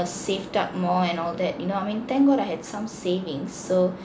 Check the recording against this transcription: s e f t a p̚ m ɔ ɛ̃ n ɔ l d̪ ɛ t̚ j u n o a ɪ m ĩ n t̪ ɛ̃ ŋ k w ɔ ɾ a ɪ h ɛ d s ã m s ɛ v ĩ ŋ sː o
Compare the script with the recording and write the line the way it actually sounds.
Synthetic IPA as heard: s e f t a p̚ m ɔ ɛ̃ n ɔ l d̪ ɛ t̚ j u n o a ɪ m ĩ n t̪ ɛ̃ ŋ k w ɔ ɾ a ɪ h ɛ d s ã m s e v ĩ ŋ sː o